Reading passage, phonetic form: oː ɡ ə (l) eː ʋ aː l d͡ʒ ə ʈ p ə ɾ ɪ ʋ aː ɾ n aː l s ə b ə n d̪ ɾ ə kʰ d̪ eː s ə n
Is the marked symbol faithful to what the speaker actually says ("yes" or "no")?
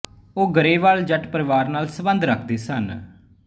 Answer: no